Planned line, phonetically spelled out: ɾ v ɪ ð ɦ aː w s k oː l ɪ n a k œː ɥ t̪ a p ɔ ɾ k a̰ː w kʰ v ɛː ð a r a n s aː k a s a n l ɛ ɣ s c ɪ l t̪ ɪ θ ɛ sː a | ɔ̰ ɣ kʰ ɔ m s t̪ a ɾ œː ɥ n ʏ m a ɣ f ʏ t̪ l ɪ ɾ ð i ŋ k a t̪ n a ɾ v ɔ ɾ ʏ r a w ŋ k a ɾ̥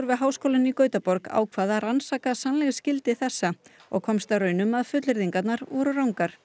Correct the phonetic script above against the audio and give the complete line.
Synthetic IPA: ɾ v ɪ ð ɦ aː w s k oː l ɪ n i k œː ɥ t̪ a p ɔ ɾ k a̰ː w kʰ v aː ð a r a n s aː k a s a n l ɛ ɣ s c ɪ l t̪ ɪ θ ɛ sː a | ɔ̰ ɣ kʰ ɔ m s t̪ a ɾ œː ɥ n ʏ m a ð f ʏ t̪ l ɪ ɾ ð i ŋ k a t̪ n a ɾ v ɔ ɾ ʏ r a w ŋ k a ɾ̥